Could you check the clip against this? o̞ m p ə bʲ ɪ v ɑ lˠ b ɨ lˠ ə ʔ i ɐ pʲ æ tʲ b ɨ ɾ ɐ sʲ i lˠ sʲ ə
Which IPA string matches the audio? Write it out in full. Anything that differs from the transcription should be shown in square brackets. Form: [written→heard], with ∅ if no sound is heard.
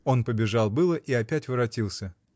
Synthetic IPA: o̞ [m→n] p ə bʲ ɪ [v→ʐ] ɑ lˠ b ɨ lˠ ə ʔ i ɐ pʲ æ tʲ [b→v] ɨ ɾ ɐ [sʲ→tʲ] i lˠ sʲ ə